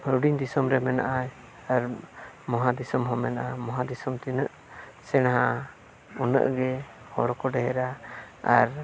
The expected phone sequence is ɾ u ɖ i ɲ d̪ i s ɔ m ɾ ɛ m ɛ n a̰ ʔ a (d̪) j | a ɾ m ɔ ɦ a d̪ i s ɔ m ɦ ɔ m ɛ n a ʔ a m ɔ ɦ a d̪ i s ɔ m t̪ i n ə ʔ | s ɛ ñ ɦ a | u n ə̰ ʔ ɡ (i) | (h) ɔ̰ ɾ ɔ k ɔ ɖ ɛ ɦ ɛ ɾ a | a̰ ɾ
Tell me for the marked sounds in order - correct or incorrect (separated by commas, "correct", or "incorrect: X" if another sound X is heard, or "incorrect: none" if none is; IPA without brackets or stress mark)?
incorrect: none, incorrect: ɛ, correct